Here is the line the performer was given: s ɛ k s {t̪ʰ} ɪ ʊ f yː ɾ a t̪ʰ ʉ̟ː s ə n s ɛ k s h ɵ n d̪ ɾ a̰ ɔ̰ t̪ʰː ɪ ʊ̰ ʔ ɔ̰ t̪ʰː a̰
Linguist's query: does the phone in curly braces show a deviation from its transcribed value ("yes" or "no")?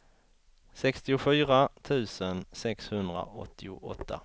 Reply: yes